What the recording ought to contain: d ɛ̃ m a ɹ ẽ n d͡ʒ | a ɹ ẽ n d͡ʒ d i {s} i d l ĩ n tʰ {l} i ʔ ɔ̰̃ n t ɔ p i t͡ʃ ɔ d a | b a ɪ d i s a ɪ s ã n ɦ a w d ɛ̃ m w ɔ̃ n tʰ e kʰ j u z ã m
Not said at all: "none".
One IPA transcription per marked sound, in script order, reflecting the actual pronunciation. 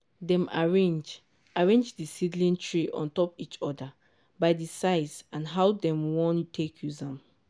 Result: s, ɹ

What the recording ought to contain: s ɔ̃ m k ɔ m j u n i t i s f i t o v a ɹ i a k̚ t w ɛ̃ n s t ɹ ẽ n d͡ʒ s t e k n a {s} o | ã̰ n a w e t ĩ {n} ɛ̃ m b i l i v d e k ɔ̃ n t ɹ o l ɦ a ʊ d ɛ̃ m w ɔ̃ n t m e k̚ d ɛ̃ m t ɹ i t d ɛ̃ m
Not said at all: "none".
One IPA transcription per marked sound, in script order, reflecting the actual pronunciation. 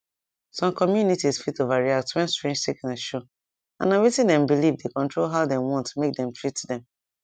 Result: ʃ, d

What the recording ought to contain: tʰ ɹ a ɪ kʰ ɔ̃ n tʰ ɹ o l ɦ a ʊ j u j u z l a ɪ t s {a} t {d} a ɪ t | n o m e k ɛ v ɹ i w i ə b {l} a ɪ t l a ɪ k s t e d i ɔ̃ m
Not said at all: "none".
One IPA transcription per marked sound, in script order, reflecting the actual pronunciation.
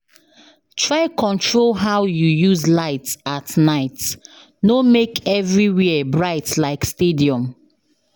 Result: a, n, ɹ

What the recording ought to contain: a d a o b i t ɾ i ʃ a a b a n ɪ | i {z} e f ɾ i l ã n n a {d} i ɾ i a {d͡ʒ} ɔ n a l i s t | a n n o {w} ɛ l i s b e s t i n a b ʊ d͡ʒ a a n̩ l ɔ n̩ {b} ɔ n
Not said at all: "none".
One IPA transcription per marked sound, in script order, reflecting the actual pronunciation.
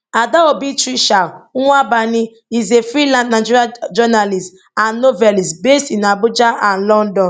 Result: z, d͡ʒ, d͡ʒ, v, d

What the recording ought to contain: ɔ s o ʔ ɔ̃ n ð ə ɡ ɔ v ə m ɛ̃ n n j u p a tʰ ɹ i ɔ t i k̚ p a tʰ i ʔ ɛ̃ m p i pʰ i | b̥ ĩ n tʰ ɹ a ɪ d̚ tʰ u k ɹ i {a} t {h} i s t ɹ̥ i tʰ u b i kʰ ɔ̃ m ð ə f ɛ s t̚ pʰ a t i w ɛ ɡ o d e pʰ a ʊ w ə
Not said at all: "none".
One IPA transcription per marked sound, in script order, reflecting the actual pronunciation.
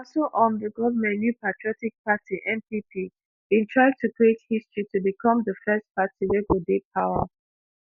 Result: e, h

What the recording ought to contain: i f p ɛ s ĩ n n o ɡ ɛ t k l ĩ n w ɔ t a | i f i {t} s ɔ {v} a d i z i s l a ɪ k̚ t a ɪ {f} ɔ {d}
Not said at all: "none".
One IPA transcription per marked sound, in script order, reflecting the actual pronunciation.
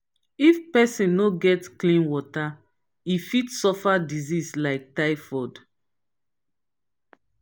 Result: t, f, f, d

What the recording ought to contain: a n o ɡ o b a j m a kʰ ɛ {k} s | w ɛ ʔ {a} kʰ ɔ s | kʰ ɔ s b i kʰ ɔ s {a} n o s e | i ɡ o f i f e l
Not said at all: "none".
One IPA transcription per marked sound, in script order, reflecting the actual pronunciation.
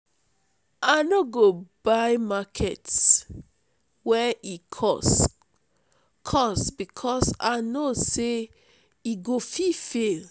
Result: t, i, a

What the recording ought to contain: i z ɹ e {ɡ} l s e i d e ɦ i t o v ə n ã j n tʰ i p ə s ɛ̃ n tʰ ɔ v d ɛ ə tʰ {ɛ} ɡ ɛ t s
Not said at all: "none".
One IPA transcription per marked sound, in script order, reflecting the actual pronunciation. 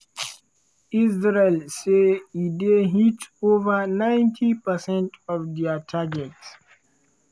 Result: none, a

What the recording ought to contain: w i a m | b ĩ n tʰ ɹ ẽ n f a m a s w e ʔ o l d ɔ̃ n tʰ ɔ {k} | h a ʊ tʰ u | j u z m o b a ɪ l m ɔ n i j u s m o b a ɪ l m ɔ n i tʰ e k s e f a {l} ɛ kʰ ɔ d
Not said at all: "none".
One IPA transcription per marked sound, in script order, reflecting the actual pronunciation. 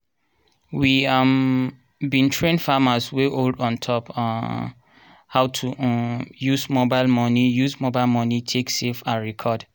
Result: p, ɹ

